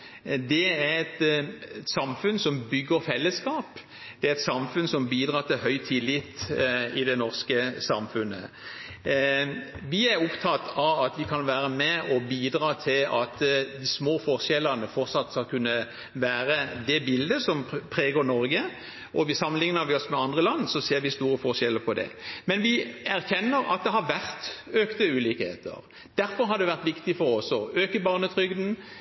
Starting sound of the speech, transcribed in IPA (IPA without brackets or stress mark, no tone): d̪